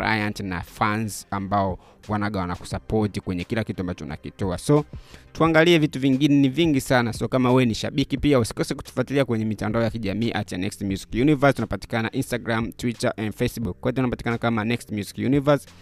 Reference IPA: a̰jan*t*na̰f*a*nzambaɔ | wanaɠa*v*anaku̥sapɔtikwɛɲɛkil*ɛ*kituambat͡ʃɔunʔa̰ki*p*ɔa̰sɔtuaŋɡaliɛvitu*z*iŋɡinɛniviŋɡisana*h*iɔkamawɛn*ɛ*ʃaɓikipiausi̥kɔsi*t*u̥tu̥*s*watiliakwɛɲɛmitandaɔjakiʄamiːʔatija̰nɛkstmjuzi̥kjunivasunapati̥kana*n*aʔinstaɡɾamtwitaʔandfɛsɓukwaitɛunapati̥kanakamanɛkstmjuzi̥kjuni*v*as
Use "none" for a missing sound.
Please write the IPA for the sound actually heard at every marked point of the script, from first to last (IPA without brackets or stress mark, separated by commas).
t, a, w, a, t, v, s, i, k, f, n, v